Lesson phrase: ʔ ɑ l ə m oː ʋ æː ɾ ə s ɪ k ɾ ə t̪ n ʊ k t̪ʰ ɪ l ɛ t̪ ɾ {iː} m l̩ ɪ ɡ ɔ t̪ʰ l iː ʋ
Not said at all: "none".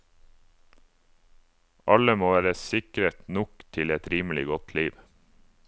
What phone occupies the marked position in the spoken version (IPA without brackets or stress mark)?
iː